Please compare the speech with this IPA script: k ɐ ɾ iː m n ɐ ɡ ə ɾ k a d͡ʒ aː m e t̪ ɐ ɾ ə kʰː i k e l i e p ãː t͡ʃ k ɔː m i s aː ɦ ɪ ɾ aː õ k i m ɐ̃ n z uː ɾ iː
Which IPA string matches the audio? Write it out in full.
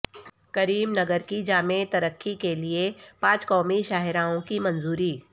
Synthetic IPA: k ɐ ɾ iː m n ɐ ɡ ə ɾ k i d͡ʒ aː m e t̪ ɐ ɾ ə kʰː i k e l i e p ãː t͡ʃ k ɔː m i ʃ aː ɦ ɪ ɾ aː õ k i m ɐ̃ n z uː ɾ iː